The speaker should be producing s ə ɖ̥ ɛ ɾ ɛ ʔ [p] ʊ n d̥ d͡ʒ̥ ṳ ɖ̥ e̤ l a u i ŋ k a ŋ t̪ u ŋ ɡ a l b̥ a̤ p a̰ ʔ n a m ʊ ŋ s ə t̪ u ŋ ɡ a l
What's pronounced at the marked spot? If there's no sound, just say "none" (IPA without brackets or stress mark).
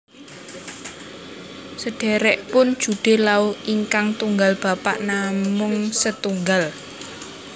p